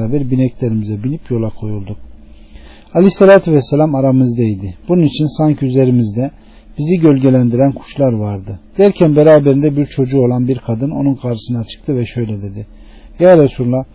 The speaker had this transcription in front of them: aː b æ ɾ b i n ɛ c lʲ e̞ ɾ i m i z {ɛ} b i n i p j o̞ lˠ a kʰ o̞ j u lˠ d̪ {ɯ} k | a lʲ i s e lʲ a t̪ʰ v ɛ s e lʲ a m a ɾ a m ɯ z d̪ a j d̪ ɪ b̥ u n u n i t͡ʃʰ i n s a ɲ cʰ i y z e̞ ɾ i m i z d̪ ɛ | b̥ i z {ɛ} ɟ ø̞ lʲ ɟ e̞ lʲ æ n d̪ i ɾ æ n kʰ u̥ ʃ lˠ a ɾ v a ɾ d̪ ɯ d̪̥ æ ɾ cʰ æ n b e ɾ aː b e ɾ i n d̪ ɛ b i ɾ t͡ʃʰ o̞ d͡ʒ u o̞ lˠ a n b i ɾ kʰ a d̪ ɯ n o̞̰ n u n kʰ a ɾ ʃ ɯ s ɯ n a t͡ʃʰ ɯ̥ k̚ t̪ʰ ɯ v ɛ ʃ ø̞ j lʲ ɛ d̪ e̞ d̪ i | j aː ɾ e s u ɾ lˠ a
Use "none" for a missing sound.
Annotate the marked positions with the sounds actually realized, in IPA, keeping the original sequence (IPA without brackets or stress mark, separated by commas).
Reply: ɛ, u, i